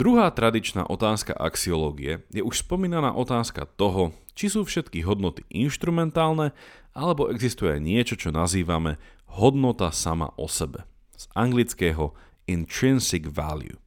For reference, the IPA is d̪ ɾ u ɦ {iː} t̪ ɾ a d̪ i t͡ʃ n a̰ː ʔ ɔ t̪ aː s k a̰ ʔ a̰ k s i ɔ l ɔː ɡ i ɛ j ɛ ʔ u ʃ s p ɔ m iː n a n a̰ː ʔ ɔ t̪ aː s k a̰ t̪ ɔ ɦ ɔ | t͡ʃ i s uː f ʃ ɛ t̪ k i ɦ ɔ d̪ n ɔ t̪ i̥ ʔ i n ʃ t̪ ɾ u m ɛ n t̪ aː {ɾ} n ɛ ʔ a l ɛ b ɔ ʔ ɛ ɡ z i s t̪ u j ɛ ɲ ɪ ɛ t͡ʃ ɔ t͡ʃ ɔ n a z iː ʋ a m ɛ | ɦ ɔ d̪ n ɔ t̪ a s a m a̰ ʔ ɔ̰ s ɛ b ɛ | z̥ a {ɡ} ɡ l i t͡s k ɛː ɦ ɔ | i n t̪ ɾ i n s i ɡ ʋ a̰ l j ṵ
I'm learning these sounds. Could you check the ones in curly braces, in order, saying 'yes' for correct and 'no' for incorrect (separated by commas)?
no, no, no